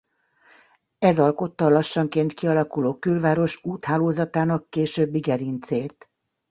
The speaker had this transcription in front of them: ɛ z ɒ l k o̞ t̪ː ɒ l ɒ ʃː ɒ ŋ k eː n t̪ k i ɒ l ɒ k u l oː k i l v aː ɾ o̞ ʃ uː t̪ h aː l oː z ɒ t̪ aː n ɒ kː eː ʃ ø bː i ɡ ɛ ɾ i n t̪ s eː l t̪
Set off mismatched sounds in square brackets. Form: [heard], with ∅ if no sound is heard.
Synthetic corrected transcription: ɛ z ɒ l k o̞ t̪ː ɒ l ɒ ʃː ɒ ŋ k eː n t̪ k i ɒ l ɒ k u l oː k [y] l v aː ɾ o̞ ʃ uː t̪ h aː l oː z ɒ t̪ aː n ɒ kː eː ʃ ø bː i ɡ ɛ ɾ i n t̪ s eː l t̪

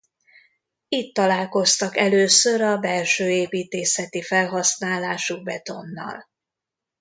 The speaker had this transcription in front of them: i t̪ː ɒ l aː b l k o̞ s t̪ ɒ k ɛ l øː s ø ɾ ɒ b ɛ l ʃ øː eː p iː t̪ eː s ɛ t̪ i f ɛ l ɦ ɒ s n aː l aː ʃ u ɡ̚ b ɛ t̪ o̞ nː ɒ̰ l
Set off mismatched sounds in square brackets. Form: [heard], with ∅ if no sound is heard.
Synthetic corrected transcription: i t̪ː ɒ l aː [∅] l k o̞ s t̪ ɒ k ɛ l øː s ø ɾ ɒ b ɛ l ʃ øː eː p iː t̪ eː s ɛ t̪ i f ɛ l ɦ ɒ s n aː l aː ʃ u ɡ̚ b ɛ t̪ o̞ nː ɒ̰ l

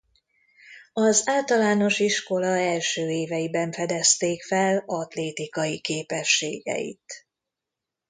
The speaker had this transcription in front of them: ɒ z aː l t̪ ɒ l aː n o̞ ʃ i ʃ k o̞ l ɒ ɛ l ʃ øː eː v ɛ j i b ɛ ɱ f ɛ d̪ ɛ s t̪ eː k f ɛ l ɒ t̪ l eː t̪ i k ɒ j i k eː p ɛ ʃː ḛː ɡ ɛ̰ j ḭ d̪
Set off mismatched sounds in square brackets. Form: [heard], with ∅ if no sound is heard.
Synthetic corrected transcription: ɒ z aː l t̪ ɒ l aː n o̞ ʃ i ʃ k o̞ l ɒ ɛ l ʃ øː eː v ɛ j i b ɛ ɱ f ɛ d̪ ɛ s t̪ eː k f ɛ l ɒ t̪ l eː t̪ i k ɒ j i k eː p ɛ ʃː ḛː ɡ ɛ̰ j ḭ [t̪]

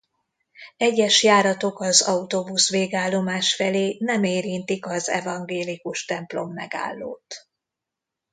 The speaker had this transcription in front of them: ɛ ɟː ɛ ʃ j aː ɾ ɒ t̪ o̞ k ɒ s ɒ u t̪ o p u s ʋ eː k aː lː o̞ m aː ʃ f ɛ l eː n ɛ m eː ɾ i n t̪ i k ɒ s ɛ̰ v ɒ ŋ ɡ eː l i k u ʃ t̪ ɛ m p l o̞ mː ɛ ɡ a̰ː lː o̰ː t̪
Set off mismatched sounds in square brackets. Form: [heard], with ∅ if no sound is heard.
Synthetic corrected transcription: ɛ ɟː ɛ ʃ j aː ɾ ɒ t̪ o̞ k ɒ [z] ɒ u t̪ o [b] u s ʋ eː [ɡ] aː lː o̞ m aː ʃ f ɛ l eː n ɛ m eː ɾ i n t̪ i k ɒ [z] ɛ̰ v ɒ ŋ ɡ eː l i k u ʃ t̪ ɛ m p l o̞ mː ɛ ɡ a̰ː lː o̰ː t̪

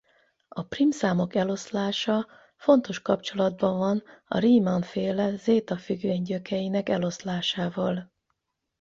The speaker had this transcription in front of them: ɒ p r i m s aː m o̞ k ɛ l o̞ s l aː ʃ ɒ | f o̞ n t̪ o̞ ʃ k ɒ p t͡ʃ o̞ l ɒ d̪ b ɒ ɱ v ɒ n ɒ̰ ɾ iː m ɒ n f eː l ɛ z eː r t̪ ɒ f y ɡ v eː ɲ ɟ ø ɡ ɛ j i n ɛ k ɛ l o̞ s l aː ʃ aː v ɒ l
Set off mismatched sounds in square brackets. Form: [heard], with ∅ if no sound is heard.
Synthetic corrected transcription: ɒ p r i m s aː m o̞ k ɛ l o̞ s l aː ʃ ɒ | f o̞ n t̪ o̞ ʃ k ɒ p t͡ʃ o̞ l ɒ d̪ b ɒ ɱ v ɒ n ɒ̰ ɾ iː m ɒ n f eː l ɛ z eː [∅] t̪ ɒ f y ɡ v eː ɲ ɟ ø [k] ɛ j i n ɛ k ɛ l o̞ s l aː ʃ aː v ɒ l

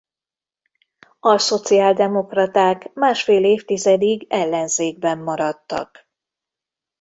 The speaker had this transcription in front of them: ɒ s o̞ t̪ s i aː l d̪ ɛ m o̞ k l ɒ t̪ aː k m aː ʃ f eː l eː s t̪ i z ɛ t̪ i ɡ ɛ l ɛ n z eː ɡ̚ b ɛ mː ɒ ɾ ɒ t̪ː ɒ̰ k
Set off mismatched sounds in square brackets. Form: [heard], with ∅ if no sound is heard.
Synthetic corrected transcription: ɒ s o̞ t̪ s i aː l d̪ ɛ m o̞ k [r] ɒ t̪ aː k m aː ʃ f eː l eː [f] t̪ i z ɛ [d̪] i ɡ ɛ [lː] ɛ n z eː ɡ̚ b ɛ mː ɒ ɾ ɒ t̪ː ɒ̰ k

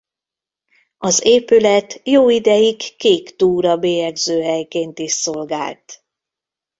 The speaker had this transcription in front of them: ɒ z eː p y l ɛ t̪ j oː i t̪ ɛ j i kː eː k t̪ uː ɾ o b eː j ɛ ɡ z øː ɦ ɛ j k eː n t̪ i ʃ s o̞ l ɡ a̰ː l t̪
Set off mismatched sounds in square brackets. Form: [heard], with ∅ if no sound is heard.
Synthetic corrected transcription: ɒ z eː p y l ɛ t̪ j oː i [d̪] ɛ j i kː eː k t̪ uː ɾ [ɒ] b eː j ɛ ɡ z øː ɦ ɛ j k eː n t̪ i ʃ s o̞ l ɡ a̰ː l t̪

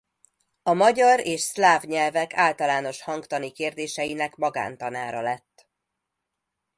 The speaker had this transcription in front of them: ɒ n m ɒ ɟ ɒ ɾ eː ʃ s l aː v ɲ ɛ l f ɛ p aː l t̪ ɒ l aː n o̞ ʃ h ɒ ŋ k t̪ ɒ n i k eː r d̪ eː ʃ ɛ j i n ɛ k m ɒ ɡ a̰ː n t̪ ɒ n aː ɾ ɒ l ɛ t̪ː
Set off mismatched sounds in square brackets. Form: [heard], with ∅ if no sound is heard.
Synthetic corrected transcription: ɒ [∅] m ɒ ɟ ɒ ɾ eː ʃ s l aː v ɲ ɛ l [v] ɛ [k] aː l t̪ ɒ l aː n o̞ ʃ h ɒ ŋ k t̪ ɒ n i k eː r d̪ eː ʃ ɛ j i n ɛ k m ɒ ɡ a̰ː n t̪ ɒ n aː ɾ ɒ l ɛ t̪ː

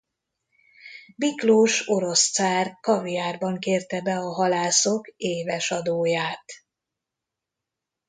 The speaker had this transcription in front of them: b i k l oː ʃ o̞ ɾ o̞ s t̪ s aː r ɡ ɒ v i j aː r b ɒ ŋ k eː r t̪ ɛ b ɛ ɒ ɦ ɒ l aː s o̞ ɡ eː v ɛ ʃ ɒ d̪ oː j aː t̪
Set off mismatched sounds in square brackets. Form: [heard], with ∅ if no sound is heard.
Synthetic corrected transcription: b i k l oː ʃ o̞ ɾ o̞ s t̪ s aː r [k] ɒ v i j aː r b ɒ ŋ k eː r t̪ ɛ b ɛ ɒ ɦ ɒ l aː s o̞ [k] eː v ɛ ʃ ɒ d̪ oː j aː t̪

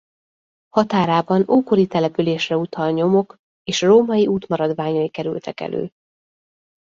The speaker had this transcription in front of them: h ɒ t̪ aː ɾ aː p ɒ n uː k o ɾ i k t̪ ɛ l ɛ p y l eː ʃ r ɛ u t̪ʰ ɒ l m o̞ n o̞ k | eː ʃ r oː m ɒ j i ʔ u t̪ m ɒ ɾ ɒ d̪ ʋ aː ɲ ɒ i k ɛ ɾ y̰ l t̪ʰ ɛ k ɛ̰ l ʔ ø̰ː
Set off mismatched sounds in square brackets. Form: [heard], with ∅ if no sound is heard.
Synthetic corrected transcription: h ɒ t̪ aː ɾ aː [b] ɒ n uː k o ɾ i [∅] t̪ ɛ l ɛ p y l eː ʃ r ɛ u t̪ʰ ɒ l [ɲ] o̞ [m] o̞ k | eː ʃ r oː m ɒ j i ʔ [uː] t̪ m ɒ ɾ ɒ d̪ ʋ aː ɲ ɒ i k ɛ ɾ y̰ l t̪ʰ ɛ k ɛ̰ l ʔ ø̰ː

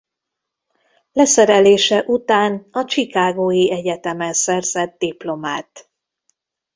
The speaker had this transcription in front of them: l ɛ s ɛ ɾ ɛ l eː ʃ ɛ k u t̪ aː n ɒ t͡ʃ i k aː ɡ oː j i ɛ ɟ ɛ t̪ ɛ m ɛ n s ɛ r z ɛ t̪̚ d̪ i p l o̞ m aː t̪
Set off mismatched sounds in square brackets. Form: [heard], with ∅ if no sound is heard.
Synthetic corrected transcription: l ɛ s ɛ ɾ ɛ l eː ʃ ɛ [ʔ] u t̪ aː n ɒ t͡ʃ i k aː ɡ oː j i ɛ ɟ ɛ t̪ ɛ m ɛ n s ɛ r z ɛ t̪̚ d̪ i p l o̞ m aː t̪

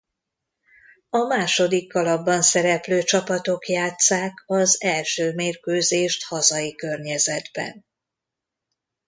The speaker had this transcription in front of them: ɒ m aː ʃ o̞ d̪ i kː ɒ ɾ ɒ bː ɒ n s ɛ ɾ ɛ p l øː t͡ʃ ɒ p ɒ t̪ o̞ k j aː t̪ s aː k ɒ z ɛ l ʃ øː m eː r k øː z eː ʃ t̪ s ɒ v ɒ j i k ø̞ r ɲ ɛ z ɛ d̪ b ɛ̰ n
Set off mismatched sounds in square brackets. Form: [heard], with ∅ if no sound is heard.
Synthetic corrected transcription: ɒ m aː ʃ o̞ d̪ i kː ɒ [l] ɒ bː ɒ n s ɛ ɾ ɛ p l øː t͡ʃ ɒ p ɒ t̪ o̞ k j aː t̪ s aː k ɒ z ɛ l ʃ øː m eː r k øː z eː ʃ t̪ [h] ɒ [z] ɒ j i k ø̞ r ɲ ɛ z ɛ d̪ b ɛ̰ n

